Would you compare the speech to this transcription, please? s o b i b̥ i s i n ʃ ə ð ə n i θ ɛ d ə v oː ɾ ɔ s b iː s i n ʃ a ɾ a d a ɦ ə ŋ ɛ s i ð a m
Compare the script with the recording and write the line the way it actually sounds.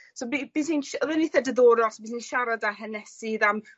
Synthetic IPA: s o b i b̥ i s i n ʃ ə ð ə n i θ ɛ d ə ð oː ɾ ɔ s b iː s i n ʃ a ɾ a d a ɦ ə n ɛ s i ð a m